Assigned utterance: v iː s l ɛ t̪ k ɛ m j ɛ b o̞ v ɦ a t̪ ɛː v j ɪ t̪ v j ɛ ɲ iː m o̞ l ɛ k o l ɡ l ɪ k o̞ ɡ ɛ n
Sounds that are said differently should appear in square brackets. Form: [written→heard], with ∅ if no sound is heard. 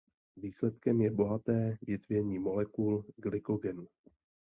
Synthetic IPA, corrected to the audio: v iː s l ɛ t̪ k ɛ m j ɛ b o̞ [v→∅] ɦ a t̪ ɛː v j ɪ t̪ v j ɛ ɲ iː m o̞ l ɛ k [o→u] l ɡ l ɪ k o̞ ɡ ɛ n